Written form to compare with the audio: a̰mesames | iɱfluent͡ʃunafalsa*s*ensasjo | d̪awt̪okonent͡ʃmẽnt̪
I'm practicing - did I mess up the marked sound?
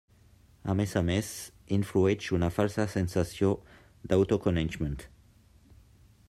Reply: no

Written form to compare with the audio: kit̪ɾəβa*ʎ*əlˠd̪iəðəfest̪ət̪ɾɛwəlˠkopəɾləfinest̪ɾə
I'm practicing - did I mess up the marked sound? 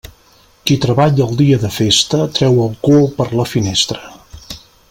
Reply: no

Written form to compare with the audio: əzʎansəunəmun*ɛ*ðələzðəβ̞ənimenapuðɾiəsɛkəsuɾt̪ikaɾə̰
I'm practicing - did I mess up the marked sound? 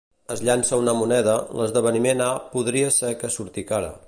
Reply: no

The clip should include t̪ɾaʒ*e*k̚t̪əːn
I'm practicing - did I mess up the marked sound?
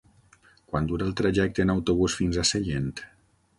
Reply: yes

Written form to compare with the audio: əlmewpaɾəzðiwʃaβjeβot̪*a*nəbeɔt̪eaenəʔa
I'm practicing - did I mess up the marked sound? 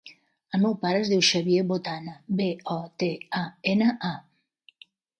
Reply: no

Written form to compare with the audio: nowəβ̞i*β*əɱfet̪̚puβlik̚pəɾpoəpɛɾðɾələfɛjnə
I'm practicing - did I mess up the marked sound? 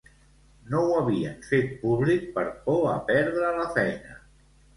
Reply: yes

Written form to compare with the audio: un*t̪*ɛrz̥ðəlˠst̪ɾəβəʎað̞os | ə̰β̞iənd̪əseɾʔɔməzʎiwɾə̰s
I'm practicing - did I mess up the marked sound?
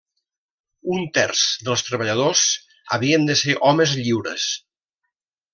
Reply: no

